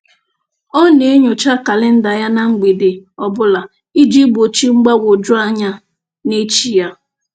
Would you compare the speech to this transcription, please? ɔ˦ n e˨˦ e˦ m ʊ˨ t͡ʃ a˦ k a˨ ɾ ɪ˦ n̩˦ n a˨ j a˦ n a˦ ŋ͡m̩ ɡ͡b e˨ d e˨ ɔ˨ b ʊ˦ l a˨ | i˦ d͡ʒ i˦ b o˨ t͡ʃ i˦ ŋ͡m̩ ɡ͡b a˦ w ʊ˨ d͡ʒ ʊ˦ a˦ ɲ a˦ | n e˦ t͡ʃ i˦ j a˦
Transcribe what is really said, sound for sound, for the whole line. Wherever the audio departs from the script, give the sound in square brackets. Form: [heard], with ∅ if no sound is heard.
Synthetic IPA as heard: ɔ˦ n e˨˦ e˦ [ɲ] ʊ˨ t͡ʃ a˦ k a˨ [l] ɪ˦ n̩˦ [d] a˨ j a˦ n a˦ ŋ͡m̩ ɡ͡b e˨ d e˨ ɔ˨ b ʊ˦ l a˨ | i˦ d͡ʒ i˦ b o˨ t͡ʃ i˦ ŋ͡m̩ ɡ͡b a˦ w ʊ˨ d͡ʒ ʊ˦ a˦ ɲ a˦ | n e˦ t͡ʃ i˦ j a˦

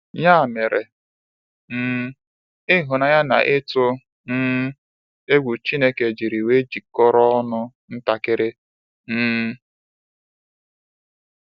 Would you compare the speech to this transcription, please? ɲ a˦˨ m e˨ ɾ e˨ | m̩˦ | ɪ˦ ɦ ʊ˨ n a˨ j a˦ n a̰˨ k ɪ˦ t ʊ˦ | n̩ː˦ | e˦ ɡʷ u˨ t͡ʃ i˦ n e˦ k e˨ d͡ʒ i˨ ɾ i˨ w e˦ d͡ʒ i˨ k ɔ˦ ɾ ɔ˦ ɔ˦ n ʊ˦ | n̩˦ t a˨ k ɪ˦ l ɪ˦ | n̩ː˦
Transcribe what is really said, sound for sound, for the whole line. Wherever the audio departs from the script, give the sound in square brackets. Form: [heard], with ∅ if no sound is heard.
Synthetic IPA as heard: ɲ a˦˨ m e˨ ɾ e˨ | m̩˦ | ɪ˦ ɦ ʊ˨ n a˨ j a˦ n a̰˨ [ʔ] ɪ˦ t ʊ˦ | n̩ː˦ | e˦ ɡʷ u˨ t͡ʃ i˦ n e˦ k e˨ d͡ʒ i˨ ɾ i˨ w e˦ d͡ʒ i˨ k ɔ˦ ɾ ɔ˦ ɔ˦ n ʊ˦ | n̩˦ t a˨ k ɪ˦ [ɾ] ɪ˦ | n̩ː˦

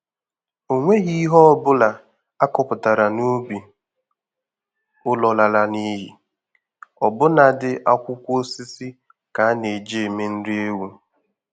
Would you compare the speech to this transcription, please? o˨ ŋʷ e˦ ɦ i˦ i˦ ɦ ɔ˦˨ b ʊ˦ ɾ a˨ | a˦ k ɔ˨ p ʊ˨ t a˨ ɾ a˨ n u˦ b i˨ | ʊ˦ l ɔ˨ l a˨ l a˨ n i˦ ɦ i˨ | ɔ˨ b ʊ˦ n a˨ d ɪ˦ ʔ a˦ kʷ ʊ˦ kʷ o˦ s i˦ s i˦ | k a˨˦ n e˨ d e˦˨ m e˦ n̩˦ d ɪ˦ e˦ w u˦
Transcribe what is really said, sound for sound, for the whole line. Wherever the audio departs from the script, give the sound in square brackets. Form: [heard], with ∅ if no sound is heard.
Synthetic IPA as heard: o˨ ŋʷ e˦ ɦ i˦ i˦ ɦ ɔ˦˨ b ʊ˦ [l] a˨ | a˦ k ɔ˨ p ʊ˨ t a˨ ɾ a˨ n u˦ b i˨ | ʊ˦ l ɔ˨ l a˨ l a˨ n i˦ ɦ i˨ | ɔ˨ b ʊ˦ n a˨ d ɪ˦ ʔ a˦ kʷ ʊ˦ kʷ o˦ s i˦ s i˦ | k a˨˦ n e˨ [d͡ʒ] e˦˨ m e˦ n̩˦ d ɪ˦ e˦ w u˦

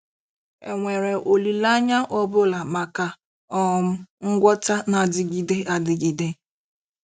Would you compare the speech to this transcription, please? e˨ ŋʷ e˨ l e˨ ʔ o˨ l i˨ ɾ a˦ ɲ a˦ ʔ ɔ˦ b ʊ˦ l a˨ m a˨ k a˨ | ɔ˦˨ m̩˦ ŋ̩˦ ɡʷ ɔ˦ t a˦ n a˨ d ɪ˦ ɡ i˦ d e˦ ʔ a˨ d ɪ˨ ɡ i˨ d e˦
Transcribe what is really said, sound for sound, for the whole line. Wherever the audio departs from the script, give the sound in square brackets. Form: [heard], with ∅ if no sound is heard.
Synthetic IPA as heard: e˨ ŋʷ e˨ [ɾ] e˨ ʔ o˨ l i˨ [l] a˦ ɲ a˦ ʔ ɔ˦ b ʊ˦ l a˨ m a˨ k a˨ | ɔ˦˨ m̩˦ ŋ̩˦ ɡʷ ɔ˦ t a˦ n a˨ d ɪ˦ ɡ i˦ d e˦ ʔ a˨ d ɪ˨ ɡ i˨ d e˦

